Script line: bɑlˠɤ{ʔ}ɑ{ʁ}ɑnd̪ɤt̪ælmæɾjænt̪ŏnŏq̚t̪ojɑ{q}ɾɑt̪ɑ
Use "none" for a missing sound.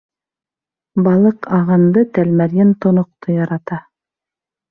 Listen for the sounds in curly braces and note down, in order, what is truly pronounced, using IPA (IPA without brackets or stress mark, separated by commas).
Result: q, ʁ, none